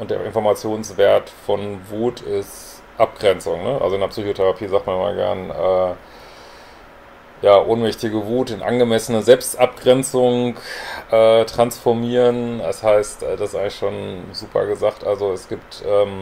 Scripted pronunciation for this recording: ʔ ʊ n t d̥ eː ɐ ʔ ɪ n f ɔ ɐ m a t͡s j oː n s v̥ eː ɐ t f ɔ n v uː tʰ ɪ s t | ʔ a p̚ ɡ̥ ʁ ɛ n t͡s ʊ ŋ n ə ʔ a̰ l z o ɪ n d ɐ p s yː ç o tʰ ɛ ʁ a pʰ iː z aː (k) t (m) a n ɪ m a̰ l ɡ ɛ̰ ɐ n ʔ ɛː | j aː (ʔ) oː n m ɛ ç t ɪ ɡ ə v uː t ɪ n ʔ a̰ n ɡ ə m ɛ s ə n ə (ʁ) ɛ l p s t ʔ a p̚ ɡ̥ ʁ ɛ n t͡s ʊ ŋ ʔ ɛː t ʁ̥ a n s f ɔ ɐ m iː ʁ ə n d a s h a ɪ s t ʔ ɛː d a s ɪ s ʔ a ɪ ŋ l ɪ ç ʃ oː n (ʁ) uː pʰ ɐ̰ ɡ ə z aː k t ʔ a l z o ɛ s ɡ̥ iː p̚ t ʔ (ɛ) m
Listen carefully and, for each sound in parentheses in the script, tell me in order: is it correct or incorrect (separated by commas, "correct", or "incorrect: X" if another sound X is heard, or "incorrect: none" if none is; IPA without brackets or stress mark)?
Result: correct, correct, correct, incorrect: z, incorrect: z, incorrect: ɛː